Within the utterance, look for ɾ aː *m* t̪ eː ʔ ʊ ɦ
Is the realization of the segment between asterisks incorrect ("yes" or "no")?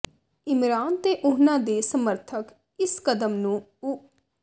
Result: yes